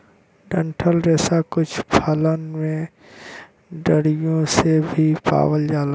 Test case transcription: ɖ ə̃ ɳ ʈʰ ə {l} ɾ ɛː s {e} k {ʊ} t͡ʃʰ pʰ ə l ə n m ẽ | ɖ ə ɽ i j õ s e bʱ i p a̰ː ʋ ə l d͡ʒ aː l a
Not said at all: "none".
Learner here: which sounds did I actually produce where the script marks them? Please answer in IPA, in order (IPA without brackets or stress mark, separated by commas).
l, a, ʊ